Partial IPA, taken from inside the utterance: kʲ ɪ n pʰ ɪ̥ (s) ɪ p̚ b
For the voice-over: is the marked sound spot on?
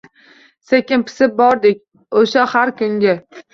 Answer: yes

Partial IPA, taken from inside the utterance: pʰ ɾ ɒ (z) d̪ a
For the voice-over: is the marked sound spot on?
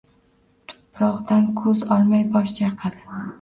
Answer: no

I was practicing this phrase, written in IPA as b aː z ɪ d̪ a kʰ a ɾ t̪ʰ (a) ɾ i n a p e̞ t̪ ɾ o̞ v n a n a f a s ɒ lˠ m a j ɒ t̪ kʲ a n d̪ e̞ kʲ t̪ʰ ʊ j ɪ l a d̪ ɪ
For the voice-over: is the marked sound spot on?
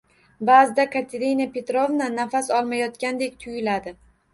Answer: no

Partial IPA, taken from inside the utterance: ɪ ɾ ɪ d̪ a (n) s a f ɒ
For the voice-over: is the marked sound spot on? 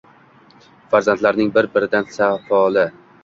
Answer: yes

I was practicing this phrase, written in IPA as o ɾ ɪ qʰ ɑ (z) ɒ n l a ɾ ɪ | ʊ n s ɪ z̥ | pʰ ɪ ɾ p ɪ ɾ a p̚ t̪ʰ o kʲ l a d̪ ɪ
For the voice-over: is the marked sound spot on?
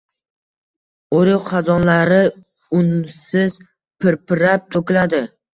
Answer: yes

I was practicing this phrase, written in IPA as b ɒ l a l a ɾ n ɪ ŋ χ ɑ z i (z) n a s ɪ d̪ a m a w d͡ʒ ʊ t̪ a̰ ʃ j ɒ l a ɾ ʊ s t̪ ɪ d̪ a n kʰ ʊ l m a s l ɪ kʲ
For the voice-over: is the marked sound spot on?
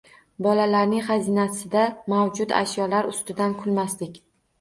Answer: no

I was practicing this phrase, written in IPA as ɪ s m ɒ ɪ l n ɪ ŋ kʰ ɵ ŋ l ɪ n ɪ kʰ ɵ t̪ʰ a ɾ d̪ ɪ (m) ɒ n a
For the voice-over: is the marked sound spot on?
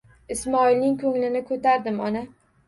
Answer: yes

